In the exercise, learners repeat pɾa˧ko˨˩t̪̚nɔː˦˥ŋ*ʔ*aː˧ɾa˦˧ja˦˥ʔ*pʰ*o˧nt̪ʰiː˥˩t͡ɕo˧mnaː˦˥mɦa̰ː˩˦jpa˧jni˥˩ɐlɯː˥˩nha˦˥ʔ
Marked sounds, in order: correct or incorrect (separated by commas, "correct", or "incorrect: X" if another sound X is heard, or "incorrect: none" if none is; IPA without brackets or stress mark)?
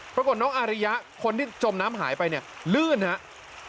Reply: correct, incorrect: kʰ